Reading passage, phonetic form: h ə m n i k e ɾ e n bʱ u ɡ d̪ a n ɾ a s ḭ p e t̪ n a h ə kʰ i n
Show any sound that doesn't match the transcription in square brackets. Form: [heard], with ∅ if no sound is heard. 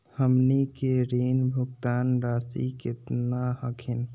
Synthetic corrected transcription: h ə m n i k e ɾ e n bʱ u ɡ [t̪] a n ɾ a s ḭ [k] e t̪ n a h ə kʰ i n

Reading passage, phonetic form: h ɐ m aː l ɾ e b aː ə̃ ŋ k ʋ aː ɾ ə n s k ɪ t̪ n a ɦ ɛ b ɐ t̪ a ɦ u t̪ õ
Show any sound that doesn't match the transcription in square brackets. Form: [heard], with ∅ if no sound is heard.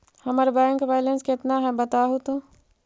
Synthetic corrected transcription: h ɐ m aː [∅] ɾ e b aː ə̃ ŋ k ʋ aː [l] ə n s k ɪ t̪ n a ɦ ɛ b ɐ t̪ a ɦ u t̪ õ

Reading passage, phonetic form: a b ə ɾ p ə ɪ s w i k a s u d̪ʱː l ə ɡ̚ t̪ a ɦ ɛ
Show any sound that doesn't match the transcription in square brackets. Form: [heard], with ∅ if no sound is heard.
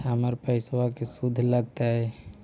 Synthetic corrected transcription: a [m] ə ɾ p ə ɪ s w [a] k [e] s u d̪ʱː l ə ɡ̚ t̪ a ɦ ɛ

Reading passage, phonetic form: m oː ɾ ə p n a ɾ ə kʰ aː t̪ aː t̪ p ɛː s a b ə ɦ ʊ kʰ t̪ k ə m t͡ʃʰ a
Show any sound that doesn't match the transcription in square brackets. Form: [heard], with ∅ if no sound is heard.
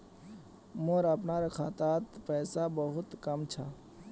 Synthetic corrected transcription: m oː ɾ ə p n a ɾ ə kʰ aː t̪ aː t̪ p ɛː s a b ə ɦ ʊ [∅] t̪ k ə m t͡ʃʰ a

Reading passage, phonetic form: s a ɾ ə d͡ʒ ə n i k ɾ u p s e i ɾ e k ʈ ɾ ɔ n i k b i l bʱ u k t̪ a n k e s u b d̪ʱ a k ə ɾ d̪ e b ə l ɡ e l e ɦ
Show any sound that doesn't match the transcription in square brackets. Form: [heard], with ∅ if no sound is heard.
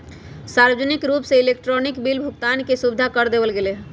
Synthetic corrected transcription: s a ɾ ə d͡ʒ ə n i k ɾ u p s e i [l] e k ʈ ɾ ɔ n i k b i l bʱ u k t̪ a n k e s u b d̪ʱ a k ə ɾ d̪ e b ə l ɡ e l e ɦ

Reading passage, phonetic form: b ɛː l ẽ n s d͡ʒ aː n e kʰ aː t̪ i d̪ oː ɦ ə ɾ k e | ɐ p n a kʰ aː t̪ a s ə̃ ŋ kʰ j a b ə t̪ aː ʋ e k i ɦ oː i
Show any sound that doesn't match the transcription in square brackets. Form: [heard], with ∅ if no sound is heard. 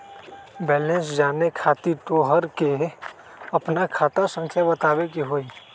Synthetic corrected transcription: b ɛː l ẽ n s d͡ʒ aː n e kʰ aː t̪ i [t̪] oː ɦ ə ɾ k e | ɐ p n a kʰ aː t̪ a s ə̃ ŋ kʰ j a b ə t̪ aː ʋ e k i ɦ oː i

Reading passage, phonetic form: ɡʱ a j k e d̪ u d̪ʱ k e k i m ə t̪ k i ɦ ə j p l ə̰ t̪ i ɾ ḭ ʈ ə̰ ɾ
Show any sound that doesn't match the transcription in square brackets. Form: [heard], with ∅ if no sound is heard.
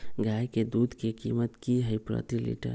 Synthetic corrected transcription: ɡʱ a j k e d̪ u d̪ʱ k e k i m ə t̪ k i ɦ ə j p [ɾ] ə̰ t̪ i [l] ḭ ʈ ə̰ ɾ

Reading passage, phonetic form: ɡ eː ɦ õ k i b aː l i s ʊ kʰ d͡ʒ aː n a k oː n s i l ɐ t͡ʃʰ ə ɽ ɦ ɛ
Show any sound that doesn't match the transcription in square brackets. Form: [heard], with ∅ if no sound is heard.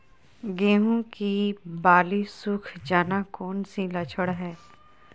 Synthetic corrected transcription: ɡ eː ɦ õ k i b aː l i s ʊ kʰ d͡ʒ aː n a k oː n s i l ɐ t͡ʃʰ ə ɽ ɦ [ɛː]

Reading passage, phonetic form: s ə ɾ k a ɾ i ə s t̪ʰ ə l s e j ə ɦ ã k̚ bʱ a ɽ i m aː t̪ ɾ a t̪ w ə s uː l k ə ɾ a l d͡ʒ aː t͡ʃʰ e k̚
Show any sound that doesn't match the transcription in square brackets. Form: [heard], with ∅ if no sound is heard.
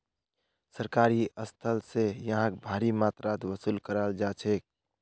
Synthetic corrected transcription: s ə ɾ k a ɾ i ə s t̪ʰ ə l s e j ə ɦ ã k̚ bʱ a [ɾ] i m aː t̪ ɾ a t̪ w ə s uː l k ə ɾ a l d͡ʒ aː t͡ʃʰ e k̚

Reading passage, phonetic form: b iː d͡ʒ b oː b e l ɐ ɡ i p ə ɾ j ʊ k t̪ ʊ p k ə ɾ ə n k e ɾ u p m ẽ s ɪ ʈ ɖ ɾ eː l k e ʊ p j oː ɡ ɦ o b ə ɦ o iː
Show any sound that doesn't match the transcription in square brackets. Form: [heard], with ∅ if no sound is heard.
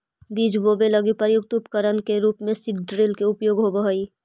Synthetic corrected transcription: b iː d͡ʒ b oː b e l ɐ ɡ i p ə ɾ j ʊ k t̪ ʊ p k ə ɾ ə n k e ɾ [uː] p m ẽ s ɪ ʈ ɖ ɾ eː l k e ʊ p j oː ɡ ɦ o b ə ɦ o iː

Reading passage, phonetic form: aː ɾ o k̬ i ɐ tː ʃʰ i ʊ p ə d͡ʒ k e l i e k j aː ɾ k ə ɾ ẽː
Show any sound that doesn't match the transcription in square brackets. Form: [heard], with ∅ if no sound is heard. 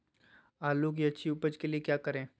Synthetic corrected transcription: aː [l] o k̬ i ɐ tː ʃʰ i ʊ p ə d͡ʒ k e l i e k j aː [∅] k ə ɾ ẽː

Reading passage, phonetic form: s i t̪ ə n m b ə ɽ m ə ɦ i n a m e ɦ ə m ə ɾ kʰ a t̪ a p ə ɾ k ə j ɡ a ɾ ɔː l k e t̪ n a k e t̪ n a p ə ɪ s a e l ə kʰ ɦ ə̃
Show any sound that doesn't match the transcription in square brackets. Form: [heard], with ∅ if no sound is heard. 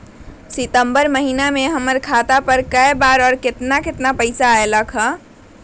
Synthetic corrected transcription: s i t̪ ə [∅] m b ə [ɾ] m ə ɦ i n a m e ɦ ə m ə ɾ kʰ a t̪ a p ə ɾ k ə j [b] a ɾ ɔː [ɾ] k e t̪ n a k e t̪ n a p ə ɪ s a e l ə kʰ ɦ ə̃

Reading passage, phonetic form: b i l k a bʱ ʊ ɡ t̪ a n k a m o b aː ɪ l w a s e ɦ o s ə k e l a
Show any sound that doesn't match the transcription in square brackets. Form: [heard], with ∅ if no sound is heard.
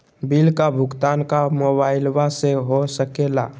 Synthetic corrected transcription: b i l k a bʱ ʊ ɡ t̪ a n k a m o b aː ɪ l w a s e ɦ o s ə k e l a

